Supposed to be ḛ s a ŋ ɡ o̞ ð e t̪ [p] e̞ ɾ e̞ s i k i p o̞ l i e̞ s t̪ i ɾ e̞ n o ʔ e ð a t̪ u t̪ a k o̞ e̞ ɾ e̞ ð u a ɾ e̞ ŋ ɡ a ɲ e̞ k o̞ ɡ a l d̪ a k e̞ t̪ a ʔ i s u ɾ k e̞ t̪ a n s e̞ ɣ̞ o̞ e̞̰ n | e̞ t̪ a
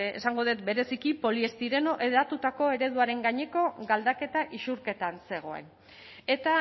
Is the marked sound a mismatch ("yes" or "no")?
yes